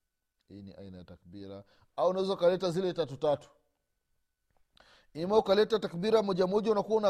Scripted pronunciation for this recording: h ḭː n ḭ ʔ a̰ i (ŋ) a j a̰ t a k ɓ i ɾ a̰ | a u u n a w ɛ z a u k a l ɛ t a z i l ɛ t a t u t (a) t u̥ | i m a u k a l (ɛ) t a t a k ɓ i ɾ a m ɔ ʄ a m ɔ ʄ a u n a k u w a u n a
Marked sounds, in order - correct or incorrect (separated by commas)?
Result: incorrect, correct, correct